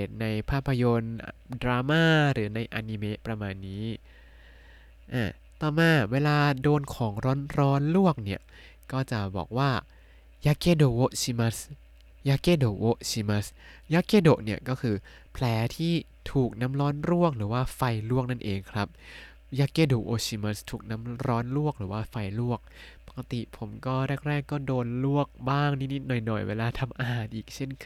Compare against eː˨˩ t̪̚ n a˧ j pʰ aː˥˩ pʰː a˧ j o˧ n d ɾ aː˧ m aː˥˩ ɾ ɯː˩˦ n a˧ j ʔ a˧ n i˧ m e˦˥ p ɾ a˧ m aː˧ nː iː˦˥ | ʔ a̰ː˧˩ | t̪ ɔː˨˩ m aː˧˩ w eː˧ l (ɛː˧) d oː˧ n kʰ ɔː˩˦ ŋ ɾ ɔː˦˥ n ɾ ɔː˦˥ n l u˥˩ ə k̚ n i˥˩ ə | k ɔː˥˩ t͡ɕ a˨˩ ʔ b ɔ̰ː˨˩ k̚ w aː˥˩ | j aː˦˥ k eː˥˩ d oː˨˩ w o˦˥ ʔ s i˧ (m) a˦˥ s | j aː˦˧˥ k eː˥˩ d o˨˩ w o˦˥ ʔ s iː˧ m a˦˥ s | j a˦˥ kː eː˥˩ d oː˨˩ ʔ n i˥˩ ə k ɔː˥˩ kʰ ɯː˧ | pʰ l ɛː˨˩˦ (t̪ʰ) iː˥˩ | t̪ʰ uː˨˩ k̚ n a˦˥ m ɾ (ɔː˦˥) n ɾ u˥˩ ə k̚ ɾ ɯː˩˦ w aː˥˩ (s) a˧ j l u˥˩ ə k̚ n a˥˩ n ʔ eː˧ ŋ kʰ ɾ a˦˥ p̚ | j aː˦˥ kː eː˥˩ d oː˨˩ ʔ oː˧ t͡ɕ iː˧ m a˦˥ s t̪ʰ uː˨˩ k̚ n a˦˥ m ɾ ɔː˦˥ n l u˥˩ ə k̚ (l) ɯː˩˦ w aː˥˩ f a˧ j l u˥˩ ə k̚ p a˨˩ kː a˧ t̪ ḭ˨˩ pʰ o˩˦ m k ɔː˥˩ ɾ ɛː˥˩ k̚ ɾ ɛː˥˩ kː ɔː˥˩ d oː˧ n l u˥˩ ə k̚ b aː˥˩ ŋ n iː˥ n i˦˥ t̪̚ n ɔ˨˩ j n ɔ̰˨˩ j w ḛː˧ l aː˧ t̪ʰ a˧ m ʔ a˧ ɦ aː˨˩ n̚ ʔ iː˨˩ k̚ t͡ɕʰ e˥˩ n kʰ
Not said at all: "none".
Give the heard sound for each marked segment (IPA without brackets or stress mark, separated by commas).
aː˧, m, t̪ʰ, ɔː˦˥, f, ɾ